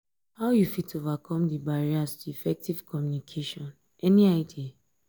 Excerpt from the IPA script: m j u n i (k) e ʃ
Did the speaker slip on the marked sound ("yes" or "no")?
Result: yes